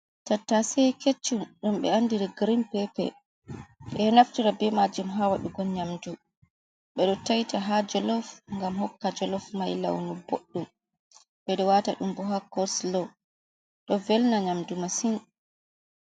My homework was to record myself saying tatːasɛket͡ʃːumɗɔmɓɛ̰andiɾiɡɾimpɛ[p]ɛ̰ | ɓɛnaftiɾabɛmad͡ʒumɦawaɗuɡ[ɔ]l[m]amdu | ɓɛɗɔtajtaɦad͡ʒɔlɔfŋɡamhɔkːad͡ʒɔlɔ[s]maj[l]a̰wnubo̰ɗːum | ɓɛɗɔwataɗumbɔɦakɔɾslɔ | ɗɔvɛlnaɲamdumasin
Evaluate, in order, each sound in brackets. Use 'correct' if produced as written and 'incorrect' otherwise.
correct, correct, incorrect, incorrect, correct

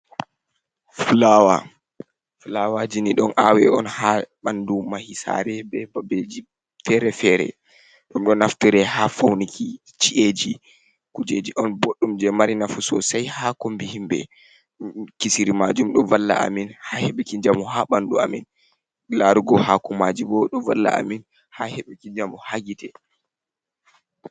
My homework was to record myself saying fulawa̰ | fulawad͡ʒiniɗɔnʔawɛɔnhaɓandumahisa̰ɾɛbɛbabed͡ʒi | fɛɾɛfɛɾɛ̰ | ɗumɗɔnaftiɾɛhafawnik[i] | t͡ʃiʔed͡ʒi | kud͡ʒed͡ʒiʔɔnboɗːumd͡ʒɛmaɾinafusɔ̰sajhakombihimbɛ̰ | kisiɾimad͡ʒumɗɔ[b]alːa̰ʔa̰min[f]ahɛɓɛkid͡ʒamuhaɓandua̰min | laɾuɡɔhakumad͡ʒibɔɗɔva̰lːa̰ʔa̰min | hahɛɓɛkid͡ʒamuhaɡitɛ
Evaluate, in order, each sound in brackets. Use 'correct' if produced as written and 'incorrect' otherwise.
correct, incorrect, incorrect

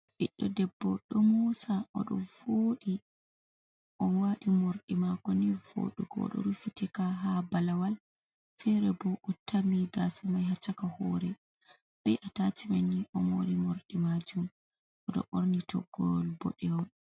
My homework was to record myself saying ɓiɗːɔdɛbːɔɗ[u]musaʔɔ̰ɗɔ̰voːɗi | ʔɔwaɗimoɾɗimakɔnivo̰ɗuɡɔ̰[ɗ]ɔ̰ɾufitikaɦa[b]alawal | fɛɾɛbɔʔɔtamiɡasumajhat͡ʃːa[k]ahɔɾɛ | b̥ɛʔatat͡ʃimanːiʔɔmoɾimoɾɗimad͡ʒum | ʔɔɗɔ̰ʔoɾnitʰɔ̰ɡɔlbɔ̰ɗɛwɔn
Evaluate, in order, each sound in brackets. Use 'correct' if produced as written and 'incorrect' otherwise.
incorrect, correct, correct, correct

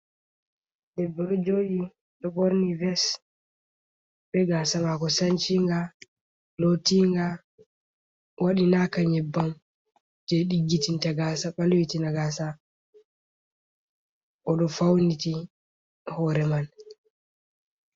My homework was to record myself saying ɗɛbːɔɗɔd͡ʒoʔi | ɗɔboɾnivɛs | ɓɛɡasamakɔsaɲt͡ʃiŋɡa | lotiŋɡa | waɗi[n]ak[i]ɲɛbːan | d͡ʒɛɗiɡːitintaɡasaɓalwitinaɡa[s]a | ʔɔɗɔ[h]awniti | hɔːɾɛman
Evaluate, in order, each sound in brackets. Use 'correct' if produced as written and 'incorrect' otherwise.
correct, incorrect, correct, incorrect

